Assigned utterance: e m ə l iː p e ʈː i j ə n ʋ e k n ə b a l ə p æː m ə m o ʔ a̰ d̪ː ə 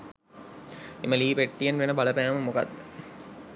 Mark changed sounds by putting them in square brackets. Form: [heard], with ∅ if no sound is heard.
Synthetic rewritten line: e m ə l iː p e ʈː i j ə n ʋ e [∅] n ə b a l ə p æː m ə m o [k] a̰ d̪ː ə